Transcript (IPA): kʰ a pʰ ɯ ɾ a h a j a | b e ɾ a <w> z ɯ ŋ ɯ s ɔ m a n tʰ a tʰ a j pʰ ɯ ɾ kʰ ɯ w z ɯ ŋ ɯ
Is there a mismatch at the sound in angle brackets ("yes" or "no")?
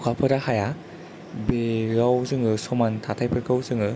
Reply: no